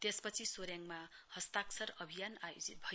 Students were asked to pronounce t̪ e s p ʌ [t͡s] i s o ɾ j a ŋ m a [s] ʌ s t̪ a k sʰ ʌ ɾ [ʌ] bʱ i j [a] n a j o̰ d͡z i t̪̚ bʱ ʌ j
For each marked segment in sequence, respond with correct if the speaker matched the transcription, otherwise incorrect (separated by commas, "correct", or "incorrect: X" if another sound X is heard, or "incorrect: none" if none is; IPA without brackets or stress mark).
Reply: incorrect: t͡sʰ, incorrect: h, correct, correct